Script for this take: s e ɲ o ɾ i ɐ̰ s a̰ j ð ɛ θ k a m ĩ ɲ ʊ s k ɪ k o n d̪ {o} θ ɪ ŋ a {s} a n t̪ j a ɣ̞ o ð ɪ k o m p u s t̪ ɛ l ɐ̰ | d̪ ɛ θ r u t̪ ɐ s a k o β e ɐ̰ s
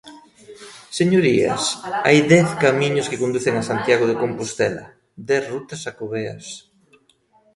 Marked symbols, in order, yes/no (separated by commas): no, yes